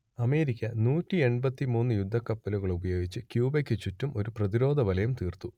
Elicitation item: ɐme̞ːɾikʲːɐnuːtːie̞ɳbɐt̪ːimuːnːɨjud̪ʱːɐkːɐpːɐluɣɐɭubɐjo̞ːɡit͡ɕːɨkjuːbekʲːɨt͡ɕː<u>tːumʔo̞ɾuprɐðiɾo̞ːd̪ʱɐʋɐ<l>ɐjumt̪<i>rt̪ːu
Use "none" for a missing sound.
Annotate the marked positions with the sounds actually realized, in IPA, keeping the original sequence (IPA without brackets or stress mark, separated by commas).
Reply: u, l, iː